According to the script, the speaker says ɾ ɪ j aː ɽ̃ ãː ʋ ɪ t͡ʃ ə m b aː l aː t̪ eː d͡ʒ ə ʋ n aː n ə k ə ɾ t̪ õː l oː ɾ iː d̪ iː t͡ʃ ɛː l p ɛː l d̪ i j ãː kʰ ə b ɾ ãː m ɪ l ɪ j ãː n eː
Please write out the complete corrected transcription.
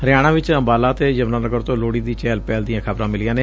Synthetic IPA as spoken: ɾ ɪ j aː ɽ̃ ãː ʋ ɪ t͡ʃ ə m b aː l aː t̪ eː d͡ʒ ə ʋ n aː n ə ɡ ə ɾ t̪ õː l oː ɽ iː d̪ iː t͡ʃ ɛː l p ɛː l d̪ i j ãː kʰ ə b ɾ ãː m ɪ l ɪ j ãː n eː